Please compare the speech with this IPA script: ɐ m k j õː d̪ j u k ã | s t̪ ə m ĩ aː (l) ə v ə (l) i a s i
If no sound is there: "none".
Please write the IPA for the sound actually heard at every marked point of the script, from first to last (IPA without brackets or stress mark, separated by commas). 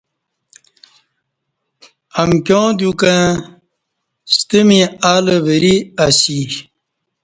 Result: l, ɾ